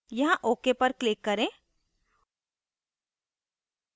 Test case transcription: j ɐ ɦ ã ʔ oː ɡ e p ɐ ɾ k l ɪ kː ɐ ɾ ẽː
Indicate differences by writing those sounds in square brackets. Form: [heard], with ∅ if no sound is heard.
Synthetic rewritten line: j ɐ ɦ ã ʔ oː [k] e p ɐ ɾ k l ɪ kː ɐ ɾ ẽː